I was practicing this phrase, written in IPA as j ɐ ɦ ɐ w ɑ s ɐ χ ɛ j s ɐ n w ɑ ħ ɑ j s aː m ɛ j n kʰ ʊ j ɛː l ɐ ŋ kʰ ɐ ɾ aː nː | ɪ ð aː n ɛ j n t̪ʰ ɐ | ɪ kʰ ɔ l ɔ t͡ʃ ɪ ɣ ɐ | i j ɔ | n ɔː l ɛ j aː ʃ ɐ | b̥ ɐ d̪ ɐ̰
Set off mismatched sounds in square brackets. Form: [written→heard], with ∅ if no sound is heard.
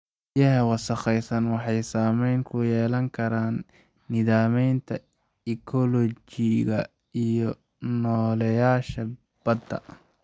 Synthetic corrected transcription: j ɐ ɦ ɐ w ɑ s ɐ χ ɛ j s ɐ n w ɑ ħ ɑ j s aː m ɛ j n kʰ ʊ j ɛː l ɐ ŋ kʰ ɐ ɾ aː nː | ɪ ð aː [n→m] ɛ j n t̪ʰ ɐ | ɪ kʰ ɔ l ɔ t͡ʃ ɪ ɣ ɐ | i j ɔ | n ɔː l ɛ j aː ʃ ɐ | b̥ ɐ d̪ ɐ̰